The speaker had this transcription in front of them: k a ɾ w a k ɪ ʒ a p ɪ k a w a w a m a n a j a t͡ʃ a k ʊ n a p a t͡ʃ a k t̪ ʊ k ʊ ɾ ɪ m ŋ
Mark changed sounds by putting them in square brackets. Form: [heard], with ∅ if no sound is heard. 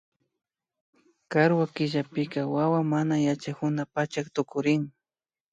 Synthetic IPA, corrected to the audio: k a ɾ w a k ɪ ʒ a p ɪ k a w a w a m a n a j a t͡ʃ a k ʊ n a p a t͡ʃ a k t̪ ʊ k ʊ ɾ ɪ [∅] ŋ